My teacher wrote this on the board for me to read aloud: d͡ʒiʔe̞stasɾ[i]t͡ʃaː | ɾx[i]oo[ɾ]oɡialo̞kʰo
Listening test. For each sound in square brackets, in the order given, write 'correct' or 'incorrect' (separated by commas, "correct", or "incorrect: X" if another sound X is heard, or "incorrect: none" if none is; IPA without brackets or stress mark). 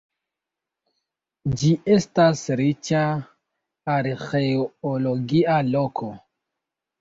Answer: correct, incorrect: e, incorrect: l